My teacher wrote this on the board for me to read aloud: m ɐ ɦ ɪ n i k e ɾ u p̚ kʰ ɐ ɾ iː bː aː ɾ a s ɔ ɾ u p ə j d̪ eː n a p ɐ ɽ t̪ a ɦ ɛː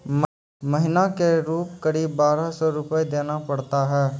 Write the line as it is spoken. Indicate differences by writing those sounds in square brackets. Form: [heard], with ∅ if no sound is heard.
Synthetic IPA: m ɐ ɦ ɪ n [a] k e ɾ [uː] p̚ [k] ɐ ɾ iː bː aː ɾ a s ɔ ɾ [ʊ] p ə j d̪ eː n a p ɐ ɽ t̪ a ɦ ɛː